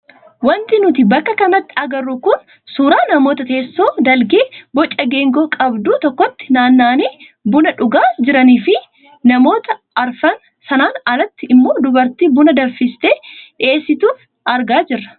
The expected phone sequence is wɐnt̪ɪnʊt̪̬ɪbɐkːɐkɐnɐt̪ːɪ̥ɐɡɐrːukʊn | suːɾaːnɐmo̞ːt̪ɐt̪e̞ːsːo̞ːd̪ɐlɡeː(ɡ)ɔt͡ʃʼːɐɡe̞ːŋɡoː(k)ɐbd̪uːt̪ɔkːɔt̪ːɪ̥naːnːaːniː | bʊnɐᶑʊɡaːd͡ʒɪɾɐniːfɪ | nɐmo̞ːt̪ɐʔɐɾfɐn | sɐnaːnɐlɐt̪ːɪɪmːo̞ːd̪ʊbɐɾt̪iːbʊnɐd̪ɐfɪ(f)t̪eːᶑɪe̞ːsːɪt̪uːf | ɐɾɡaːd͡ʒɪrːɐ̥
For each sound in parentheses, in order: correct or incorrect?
incorrect, incorrect, incorrect

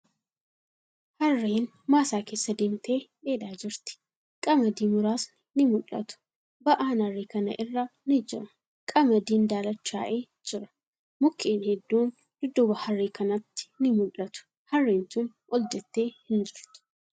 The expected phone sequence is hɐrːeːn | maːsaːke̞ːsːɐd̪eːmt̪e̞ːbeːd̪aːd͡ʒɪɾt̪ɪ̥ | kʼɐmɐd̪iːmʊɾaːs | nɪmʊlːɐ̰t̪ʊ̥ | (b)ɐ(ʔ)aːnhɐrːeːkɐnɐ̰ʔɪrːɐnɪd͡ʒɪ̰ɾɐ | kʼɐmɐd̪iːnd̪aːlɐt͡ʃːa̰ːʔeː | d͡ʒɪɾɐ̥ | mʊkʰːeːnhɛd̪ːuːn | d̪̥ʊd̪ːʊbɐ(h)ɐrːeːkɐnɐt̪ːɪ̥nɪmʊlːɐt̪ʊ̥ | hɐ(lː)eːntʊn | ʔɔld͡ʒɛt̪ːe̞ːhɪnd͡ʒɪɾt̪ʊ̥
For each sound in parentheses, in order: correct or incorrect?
correct, correct, correct, incorrect

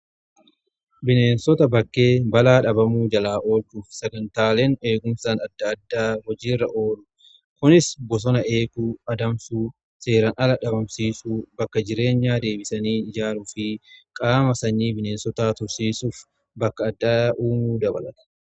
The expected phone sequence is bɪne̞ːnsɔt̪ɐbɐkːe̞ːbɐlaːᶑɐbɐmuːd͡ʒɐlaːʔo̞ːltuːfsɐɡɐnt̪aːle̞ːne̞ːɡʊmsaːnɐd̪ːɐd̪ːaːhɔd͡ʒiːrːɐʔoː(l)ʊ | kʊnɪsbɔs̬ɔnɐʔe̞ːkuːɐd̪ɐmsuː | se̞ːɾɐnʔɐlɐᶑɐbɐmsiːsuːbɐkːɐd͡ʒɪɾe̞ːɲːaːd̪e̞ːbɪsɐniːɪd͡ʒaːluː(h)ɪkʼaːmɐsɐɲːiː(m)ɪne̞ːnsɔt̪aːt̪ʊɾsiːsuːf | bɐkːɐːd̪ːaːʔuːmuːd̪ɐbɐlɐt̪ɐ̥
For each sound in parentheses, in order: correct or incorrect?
correct, incorrect, incorrect

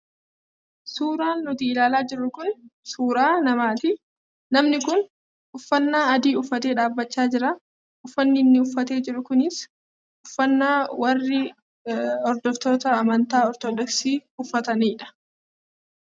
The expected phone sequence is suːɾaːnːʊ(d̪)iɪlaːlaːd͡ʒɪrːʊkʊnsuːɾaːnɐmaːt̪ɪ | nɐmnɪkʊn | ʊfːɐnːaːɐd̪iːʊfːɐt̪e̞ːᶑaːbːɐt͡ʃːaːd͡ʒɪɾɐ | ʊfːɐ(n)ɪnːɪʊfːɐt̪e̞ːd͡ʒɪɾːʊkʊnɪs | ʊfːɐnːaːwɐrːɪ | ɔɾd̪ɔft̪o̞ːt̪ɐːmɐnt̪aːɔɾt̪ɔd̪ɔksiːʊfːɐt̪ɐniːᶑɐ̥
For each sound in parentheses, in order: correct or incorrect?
incorrect, incorrect

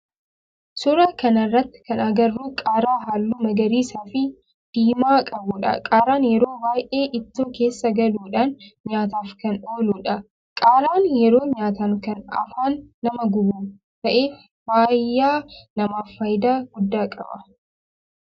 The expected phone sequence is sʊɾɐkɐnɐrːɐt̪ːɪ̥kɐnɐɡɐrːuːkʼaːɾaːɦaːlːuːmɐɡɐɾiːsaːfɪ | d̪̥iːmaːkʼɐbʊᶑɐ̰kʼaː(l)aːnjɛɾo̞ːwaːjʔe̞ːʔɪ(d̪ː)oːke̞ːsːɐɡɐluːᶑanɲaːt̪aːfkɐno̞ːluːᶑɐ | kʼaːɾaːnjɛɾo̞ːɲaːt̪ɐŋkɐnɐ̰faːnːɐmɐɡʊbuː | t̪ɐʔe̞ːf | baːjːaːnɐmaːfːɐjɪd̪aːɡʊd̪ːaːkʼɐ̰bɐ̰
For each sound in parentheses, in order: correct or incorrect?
incorrect, incorrect

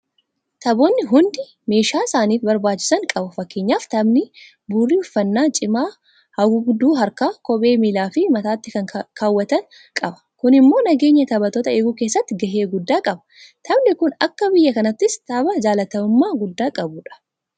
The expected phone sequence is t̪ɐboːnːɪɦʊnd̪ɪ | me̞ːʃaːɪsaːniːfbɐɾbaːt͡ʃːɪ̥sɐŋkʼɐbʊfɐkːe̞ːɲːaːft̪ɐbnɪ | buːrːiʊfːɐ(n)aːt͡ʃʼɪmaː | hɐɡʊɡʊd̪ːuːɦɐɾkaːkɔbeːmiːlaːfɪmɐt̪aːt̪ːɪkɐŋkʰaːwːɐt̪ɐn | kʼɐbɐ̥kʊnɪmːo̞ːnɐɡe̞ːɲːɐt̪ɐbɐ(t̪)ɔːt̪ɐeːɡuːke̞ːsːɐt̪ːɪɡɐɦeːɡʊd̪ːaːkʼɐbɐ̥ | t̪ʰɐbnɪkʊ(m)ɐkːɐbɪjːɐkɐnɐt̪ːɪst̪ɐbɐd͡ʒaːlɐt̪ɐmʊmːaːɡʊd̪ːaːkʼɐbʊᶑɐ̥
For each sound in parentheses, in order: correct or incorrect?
incorrect, correct, incorrect

